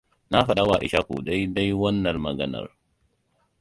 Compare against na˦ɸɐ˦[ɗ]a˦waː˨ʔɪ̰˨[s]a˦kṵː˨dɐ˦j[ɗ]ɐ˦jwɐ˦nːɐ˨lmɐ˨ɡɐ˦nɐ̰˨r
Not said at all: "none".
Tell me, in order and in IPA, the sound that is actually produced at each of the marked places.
ɗ, ʃ, d

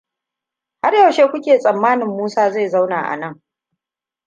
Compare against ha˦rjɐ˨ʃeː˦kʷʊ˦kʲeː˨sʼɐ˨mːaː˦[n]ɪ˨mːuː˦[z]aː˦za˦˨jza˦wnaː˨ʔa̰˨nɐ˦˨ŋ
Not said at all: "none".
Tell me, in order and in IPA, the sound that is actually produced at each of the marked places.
n, s

